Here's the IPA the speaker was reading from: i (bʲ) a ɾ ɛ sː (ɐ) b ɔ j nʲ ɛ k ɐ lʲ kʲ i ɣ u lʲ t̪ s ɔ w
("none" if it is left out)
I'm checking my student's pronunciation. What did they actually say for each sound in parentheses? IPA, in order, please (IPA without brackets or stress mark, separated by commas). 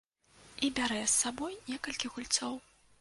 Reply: bʲ, a